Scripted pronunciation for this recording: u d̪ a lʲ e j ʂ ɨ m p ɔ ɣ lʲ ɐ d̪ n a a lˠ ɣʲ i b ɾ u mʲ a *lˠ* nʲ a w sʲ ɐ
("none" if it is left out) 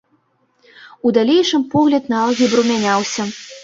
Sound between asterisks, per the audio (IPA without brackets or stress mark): none